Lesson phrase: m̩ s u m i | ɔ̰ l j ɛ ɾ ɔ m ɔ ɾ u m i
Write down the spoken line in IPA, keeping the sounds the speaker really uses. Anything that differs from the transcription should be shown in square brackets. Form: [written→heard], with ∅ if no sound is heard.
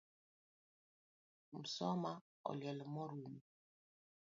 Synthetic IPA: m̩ s [u→ɔ] m [i→a] | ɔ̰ l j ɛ [ɾ→l] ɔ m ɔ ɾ u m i